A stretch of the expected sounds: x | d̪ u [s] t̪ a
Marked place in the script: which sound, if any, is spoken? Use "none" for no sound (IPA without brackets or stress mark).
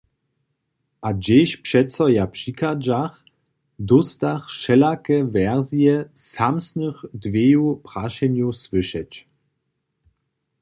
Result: s